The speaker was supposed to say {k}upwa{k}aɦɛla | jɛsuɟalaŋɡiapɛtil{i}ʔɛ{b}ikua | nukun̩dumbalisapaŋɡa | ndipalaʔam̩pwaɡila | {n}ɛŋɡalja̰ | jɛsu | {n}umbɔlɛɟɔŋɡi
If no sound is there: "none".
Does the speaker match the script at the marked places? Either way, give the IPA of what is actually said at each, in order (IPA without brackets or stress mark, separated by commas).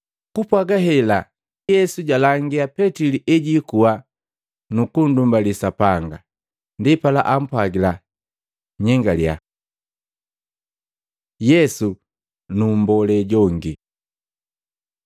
k, ɡ, i, ɟ, ɲ, n